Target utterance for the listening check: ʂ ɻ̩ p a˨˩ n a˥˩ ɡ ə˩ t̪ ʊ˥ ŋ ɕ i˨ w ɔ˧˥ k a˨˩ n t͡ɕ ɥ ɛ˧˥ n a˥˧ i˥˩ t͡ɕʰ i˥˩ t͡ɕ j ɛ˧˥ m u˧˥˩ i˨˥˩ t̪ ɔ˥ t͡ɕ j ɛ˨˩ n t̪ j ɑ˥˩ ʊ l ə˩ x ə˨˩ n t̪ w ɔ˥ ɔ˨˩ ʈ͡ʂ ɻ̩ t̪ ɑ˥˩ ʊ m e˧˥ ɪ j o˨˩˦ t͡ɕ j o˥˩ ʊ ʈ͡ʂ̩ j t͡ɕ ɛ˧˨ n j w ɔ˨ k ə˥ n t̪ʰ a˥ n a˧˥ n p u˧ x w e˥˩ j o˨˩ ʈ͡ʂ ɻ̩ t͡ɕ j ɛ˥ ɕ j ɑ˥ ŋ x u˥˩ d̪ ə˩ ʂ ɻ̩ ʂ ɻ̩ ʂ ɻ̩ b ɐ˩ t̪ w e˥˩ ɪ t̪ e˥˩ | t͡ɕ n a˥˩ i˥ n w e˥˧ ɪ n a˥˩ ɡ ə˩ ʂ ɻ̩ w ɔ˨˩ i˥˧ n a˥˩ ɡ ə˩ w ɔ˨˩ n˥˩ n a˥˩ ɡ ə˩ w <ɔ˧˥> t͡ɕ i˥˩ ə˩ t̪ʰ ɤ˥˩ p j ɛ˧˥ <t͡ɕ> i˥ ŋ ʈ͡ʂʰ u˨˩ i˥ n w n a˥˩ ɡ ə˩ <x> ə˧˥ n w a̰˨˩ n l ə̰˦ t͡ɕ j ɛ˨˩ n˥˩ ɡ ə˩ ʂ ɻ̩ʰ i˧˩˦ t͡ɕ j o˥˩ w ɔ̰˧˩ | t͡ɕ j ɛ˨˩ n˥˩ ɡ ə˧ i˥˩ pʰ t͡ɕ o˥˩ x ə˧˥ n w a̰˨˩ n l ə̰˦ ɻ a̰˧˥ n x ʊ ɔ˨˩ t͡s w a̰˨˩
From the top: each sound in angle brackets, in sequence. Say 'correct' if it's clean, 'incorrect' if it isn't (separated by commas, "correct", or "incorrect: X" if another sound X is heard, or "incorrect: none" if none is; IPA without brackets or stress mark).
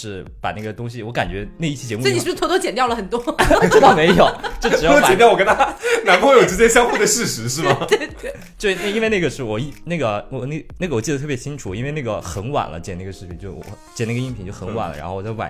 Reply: incorrect: ɔ˨˩, incorrect: t͡ɕʰ, correct